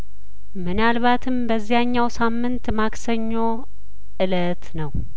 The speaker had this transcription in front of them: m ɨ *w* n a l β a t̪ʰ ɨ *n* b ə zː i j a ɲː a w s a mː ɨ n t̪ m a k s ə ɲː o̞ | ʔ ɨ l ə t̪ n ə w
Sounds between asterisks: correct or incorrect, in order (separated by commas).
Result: incorrect, incorrect